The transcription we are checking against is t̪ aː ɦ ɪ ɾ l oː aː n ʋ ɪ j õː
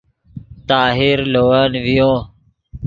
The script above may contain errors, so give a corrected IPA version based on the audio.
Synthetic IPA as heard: t̪ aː ɦ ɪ ɾ l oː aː n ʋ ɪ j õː